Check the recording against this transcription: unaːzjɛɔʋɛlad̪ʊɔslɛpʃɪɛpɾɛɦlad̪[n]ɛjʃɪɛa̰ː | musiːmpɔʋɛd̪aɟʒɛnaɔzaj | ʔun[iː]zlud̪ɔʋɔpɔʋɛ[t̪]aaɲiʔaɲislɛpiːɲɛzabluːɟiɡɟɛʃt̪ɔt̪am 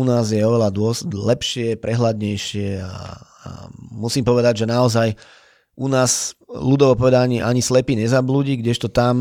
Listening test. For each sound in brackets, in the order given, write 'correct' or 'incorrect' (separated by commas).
incorrect, incorrect, incorrect